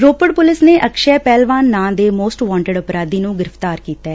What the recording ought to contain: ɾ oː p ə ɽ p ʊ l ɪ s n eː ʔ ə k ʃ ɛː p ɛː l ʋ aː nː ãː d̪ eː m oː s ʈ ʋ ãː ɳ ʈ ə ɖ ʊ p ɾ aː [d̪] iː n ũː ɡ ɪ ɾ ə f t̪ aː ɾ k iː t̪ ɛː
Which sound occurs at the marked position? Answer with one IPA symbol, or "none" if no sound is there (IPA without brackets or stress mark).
d̪